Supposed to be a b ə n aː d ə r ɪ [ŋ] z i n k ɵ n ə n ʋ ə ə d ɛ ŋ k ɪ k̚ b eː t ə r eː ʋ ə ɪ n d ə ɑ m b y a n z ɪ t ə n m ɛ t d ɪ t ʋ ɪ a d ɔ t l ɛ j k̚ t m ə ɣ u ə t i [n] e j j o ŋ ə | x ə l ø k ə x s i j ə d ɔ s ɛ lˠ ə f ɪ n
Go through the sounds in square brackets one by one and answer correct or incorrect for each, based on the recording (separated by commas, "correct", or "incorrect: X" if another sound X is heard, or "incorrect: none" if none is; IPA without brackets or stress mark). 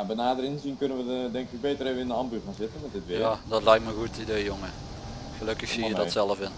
incorrect: n, incorrect: d